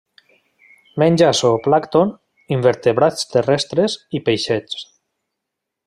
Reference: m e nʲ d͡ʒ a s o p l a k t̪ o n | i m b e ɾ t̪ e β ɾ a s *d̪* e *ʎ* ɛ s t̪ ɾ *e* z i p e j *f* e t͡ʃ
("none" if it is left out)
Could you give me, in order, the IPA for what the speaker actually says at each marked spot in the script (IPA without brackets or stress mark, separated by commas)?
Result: t̪, r, e, ʃ